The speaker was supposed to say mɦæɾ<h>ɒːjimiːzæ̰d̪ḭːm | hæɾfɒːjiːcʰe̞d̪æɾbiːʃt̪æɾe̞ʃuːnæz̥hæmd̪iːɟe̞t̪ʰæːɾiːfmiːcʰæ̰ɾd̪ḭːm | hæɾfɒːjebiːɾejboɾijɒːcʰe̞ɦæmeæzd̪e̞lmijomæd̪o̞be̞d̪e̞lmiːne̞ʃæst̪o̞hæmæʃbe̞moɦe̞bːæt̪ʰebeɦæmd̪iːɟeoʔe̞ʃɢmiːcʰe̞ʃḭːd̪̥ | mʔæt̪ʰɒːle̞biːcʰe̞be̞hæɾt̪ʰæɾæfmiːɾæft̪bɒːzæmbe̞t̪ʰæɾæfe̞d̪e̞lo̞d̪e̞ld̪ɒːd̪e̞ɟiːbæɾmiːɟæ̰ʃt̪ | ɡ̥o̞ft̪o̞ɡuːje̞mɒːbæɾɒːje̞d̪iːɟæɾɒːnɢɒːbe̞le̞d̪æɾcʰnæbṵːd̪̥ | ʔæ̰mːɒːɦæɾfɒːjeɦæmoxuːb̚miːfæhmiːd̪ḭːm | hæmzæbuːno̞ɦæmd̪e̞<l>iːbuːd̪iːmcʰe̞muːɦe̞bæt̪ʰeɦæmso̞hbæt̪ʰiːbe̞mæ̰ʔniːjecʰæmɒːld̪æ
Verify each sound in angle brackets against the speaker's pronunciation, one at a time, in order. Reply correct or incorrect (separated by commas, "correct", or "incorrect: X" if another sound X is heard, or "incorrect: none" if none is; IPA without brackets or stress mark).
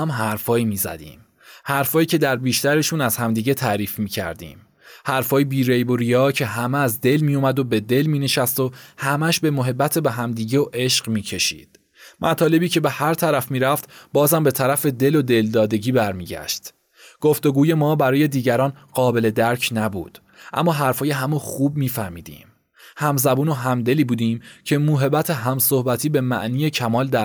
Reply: incorrect: f, correct